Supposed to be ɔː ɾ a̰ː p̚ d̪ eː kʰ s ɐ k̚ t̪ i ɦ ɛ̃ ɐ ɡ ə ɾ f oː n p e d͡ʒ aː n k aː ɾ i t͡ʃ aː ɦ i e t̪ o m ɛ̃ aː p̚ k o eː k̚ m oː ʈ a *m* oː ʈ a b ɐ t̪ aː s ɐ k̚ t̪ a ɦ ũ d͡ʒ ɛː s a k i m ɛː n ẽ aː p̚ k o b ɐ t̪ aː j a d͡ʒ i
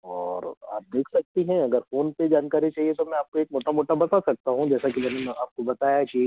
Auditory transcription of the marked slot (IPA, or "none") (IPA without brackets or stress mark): m